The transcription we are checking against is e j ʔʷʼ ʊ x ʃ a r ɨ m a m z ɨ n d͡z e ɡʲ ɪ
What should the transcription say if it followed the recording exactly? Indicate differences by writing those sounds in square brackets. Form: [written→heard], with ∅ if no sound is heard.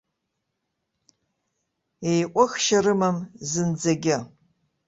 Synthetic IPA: e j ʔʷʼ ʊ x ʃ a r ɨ m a m z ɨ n d͡z [e→a] ɡʲ ɪ